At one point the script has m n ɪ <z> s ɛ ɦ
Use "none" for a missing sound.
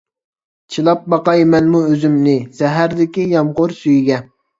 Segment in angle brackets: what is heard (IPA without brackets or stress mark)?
none